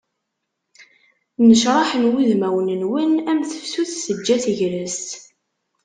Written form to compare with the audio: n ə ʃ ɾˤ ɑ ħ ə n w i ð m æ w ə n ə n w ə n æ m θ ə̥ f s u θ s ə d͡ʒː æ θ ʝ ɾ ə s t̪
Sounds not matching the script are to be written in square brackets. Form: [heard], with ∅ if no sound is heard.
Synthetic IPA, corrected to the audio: n ə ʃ ɾˤ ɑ ħ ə n w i ð m æ w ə n ə n w ə n æ m θ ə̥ f s u θ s ə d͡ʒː æ θ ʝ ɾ ə s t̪